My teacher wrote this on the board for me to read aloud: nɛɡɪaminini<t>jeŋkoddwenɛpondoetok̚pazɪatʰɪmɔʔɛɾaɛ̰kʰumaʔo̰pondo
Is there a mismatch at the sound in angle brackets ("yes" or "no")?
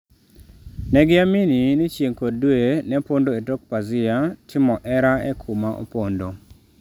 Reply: yes